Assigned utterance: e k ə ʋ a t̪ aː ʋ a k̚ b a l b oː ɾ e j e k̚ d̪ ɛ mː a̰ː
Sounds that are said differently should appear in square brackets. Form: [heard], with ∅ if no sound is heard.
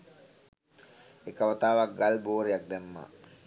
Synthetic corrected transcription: e k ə ʋ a t̪ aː ʋ a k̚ [ɡ] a l b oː ɾ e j [a] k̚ d̪ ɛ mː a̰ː